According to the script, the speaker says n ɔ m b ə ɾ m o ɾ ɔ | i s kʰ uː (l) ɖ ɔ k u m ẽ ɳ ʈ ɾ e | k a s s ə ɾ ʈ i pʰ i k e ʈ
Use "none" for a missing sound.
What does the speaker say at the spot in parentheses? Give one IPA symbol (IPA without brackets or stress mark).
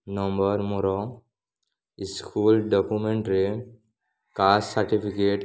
l